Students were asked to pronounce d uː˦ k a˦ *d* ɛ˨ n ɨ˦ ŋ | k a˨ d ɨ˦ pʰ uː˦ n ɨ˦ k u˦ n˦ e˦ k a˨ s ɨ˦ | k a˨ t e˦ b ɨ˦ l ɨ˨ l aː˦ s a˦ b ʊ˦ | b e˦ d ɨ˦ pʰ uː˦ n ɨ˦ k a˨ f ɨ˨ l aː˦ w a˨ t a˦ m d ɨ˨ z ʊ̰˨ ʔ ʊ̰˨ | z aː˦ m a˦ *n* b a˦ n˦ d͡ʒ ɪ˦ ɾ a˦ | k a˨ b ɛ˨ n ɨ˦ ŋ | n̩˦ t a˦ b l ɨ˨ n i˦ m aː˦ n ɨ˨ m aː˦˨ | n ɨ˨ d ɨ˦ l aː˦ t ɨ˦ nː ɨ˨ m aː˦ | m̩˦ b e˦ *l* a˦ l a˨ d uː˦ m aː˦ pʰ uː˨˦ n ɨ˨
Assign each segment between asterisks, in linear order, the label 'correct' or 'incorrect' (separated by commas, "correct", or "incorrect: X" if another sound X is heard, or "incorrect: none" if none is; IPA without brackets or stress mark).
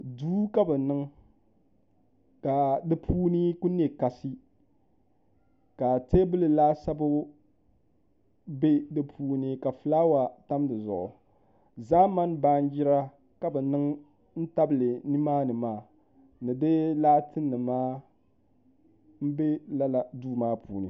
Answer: incorrect: b, correct, correct